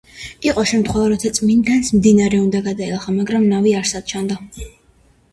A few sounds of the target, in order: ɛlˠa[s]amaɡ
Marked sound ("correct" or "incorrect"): incorrect